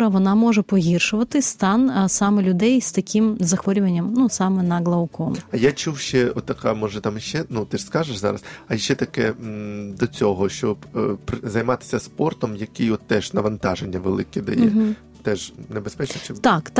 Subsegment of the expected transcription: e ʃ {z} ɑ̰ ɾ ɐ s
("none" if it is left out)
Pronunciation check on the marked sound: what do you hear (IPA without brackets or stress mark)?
z